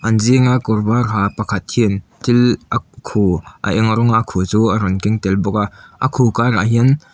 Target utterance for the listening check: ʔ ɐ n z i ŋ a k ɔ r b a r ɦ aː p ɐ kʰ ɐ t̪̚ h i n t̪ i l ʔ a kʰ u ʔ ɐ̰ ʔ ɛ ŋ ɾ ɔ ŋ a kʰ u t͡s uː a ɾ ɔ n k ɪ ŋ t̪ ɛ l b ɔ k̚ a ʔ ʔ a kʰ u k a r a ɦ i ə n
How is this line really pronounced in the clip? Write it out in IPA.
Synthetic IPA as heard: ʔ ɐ n z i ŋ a k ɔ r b a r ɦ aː p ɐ kʰ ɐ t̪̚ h i n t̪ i l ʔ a kʰ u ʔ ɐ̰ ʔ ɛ ŋ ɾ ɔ ŋ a kʰ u t͡s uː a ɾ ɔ n k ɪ ŋ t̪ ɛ l b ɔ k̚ a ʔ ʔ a kʰ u k a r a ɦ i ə n